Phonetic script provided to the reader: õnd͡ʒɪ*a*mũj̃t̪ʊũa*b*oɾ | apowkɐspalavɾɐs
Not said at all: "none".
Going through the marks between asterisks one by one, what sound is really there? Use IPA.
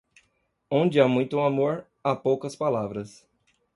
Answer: a, m

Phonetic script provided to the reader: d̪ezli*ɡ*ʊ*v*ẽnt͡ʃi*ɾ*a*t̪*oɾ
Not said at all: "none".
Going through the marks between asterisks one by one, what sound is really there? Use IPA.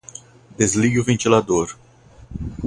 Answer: ɡ, v, l, d̪

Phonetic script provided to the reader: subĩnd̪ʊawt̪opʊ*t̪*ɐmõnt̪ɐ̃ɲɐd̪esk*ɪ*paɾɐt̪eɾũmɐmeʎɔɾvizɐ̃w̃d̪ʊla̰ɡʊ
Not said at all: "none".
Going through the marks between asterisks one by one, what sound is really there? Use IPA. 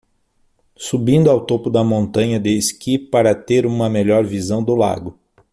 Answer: d̪, i

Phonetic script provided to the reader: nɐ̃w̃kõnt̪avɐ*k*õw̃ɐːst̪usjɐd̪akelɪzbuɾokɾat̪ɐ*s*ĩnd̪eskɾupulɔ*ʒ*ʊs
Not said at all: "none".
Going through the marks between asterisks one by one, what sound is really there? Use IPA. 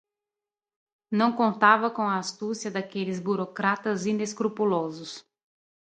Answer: k, z, z

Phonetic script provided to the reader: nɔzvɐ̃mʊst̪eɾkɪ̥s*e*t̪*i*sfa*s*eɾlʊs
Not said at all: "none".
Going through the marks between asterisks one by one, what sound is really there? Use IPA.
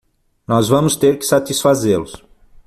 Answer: a, i, z

